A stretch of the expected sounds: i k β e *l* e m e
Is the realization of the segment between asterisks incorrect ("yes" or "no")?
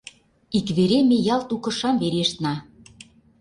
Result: yes